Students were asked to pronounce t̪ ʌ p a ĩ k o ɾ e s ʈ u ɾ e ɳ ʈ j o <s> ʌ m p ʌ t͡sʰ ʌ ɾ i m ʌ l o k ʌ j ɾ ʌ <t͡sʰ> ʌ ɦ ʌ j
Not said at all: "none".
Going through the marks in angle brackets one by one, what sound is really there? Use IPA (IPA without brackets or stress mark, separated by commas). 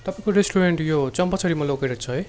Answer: t͡s, t͡sʰ